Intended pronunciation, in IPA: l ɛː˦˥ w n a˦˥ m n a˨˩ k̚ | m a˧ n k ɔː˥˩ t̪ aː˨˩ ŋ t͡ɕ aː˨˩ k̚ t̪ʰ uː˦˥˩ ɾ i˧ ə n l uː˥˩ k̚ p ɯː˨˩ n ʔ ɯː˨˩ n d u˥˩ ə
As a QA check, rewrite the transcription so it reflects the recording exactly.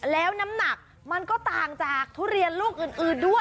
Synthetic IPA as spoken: l ɛː˦˥ w n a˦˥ m n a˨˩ k̚ | m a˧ n k ɔː˥˩ t̪ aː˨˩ ŋ t͡ɕ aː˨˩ k̚ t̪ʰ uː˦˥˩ ɾ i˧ ə n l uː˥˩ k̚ ʔ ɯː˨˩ n ʔ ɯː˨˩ n d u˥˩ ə

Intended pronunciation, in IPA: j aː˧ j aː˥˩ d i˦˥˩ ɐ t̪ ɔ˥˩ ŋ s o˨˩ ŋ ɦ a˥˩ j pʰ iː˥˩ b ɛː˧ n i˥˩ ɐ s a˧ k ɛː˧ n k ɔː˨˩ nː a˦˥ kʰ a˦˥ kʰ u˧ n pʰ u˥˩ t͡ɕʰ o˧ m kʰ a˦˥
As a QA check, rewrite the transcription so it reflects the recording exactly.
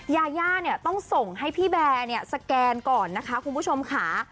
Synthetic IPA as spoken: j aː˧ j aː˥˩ n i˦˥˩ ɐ t̪ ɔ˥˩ ŋ s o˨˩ ŋ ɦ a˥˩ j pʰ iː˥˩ b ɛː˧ n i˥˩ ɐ s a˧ k ɛː˧ n k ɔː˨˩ nː a˦˥ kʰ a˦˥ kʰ u˧ n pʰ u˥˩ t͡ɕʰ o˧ m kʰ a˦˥

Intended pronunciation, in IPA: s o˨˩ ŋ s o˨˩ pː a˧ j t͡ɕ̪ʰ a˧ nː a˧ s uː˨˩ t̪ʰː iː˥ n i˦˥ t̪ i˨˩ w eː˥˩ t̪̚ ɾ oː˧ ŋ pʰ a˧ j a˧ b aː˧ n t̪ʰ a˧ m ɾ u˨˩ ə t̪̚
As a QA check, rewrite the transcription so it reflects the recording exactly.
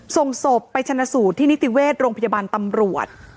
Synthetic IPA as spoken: s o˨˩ ŋ s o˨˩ pː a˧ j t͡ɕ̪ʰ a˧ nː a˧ s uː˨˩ t̪ʰː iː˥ n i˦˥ t̪ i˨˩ w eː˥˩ t̪̚ ɾ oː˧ ŋ pʰ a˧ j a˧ b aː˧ n t̪ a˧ m ɾ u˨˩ ə t̪̚

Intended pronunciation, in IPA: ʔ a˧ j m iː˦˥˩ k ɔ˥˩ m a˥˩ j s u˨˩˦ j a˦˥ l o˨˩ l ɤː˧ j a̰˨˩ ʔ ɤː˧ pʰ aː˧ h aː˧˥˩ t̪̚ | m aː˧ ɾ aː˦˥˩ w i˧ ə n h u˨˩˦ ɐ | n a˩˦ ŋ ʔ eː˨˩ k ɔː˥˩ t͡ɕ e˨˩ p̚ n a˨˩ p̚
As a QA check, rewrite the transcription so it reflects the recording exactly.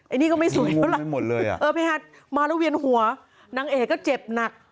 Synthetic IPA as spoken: ʔ a˧ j n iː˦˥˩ k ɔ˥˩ m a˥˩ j s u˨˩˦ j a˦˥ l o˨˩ l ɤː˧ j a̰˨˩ ʔ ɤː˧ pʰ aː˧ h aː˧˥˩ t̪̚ | m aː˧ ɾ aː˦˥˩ w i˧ ə n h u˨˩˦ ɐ | n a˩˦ ŋ ʔ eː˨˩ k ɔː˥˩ t͡ɕ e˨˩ p̚ n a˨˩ k̚

